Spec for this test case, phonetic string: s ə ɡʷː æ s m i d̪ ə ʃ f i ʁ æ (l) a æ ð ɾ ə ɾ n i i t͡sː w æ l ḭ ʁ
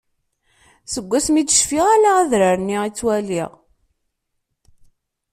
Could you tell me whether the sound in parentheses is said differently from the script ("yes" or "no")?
no